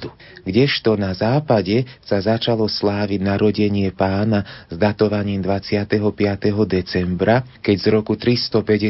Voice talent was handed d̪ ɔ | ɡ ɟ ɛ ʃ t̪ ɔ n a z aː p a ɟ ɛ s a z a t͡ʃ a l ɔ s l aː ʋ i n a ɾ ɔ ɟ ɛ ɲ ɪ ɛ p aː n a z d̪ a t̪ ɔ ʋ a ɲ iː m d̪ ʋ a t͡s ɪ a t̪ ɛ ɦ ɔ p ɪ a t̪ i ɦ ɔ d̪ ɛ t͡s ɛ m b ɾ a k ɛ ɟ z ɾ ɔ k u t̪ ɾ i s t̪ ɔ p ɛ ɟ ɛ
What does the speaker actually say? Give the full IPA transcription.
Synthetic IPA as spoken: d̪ u | ɡ ɟ ɛ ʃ t̪ ɔ n a z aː p a ɟ ɛ s a z a t͡ʃ a l ɔ s l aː ʋ i n a ɾ ɔ ɟ ɛ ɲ ɪ ɛ p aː n a z d̪ a t̪ ɔ ʋ a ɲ iː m d̪ ʋ a t͡s ɪ a t̪ ɛ ɦ ɔ p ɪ a t̪ ɛ ɦ ɔ d̪ ɛ t͡s ɛ m b ɾ a k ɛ ɟ z ɾ ɔ k u t̪ ɾ i s t̪ ɔ p ɛ ɟ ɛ